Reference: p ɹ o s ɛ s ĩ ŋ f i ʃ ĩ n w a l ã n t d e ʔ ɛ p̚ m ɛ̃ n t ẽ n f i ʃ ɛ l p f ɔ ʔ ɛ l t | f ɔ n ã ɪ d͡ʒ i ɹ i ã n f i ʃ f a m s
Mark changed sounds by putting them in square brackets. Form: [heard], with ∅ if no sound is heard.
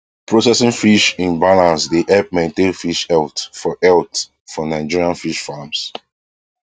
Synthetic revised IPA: p ɹ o s ɛ s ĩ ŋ f i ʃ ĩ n [b] a l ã n [s] d e ʔ ɛ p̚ m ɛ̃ n t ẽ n f i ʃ ɛ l [t] f ɔ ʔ ɛ l t | f ɔ n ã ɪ d͡ʒ i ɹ i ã n f i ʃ f a m s